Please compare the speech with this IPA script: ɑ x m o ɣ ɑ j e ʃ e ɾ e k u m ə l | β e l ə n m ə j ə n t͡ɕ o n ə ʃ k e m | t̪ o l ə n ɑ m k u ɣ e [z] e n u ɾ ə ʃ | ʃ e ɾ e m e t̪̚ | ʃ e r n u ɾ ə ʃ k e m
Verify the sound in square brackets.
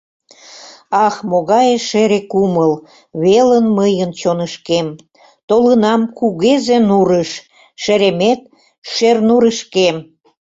correct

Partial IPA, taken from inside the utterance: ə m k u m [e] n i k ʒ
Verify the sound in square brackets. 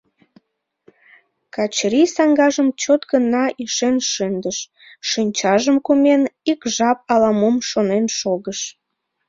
correct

